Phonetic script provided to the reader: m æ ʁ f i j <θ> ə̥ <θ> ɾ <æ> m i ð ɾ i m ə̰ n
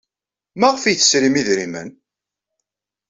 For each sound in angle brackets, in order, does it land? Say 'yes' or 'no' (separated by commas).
yes, no, no